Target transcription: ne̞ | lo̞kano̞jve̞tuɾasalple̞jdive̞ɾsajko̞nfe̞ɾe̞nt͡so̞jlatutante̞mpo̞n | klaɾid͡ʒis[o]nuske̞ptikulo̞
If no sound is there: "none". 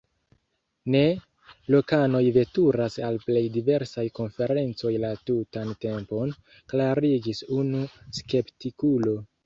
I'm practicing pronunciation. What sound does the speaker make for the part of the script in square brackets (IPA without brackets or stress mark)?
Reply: u